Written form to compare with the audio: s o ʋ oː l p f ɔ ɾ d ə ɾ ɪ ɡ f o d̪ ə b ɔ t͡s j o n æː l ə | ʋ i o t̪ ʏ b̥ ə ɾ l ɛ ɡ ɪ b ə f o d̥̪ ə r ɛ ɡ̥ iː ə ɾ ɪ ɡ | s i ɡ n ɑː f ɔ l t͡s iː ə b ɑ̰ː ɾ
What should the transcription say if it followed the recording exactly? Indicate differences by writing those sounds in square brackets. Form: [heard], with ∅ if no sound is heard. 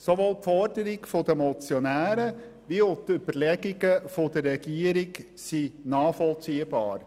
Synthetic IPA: s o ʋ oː l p f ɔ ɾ d ə ɾ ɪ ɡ f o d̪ ə [m] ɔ t͡s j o n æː [ɾ] ə | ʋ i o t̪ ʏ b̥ ə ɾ l ɛ ɡ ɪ [ɡ] ə f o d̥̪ ə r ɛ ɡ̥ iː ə ɾ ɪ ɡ | s i [∅] n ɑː f ɔ l t͡s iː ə b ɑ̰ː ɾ